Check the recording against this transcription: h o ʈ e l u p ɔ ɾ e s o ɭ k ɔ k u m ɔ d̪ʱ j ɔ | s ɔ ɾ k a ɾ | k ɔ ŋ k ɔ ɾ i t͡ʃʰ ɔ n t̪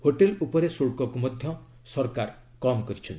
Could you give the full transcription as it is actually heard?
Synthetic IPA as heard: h o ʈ e l u p ɔ ɾ e s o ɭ k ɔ k u m ɔ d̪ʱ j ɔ | s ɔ ɾ k a ɾ | k ɔ m k ɔ ɾ i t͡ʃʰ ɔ n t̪